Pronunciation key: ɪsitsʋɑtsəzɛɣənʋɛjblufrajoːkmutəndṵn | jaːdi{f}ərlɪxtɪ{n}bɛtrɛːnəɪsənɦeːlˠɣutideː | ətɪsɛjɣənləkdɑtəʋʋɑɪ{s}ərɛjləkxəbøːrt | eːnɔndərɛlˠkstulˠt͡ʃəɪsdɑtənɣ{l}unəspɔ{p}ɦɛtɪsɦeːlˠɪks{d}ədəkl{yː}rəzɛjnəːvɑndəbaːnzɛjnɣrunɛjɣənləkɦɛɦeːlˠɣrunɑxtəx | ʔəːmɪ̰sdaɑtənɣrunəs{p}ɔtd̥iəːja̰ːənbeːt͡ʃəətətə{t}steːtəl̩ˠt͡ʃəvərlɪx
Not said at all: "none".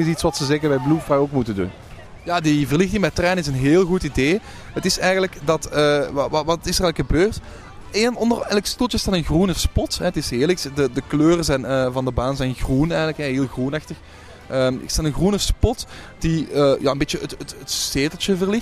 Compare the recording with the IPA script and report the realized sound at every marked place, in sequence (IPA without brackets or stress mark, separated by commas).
v, ŋ, s, r, t, d, øː, p, t